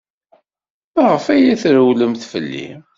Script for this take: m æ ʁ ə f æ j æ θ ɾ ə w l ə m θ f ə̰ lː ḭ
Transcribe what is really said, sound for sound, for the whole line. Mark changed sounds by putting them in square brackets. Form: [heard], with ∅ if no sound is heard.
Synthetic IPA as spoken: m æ ʁ ə f æ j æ θ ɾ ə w l ə m θ f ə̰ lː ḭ